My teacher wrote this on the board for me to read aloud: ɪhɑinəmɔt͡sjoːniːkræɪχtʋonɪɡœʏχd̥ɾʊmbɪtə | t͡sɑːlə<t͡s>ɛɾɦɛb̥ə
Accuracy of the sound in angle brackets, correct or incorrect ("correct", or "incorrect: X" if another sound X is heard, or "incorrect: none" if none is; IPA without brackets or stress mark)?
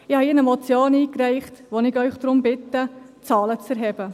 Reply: correct